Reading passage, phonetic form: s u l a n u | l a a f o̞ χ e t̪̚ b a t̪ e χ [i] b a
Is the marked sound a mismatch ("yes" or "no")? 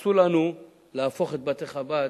yes